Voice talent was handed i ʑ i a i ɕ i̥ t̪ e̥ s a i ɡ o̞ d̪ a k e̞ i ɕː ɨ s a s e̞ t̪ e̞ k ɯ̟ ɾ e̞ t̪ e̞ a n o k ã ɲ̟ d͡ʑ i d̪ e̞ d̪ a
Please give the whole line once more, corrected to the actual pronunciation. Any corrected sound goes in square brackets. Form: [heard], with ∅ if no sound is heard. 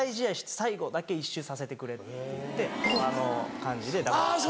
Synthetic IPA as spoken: i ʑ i a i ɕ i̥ t̪ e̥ s a i ɡ o̞ d̪ a k e̞ i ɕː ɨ s a s e̞ t̪ e̞ k ɯ̟ ɾ e̞ t̪ e̞ a n o k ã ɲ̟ d͡ʑ i d̪ e̞ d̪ a